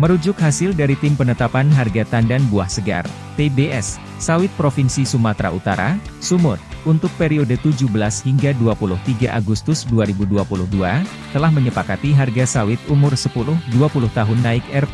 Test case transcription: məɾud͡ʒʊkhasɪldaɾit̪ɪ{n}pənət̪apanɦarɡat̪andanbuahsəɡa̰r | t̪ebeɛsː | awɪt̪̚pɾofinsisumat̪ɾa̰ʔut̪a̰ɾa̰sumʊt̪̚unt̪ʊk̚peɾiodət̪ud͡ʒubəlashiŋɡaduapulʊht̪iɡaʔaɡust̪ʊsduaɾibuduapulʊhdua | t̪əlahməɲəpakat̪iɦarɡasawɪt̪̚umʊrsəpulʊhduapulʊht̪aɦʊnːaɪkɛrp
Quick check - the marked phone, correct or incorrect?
incorrect